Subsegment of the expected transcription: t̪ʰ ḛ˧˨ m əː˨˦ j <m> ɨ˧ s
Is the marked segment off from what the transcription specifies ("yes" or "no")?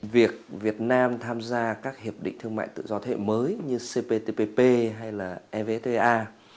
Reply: yes